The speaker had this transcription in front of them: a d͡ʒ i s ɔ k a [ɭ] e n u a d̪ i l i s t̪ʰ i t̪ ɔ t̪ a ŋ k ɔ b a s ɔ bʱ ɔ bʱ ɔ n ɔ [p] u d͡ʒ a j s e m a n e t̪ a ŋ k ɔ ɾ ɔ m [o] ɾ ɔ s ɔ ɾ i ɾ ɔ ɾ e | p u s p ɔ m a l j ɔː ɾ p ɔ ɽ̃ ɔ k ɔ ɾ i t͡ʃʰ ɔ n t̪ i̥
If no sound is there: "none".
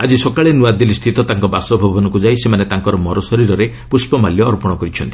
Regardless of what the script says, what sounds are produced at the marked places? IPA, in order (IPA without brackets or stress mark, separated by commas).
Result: ɭ, k, ɔ